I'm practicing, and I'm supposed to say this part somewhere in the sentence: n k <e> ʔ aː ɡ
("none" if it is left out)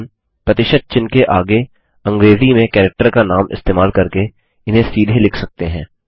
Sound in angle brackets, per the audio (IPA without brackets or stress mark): e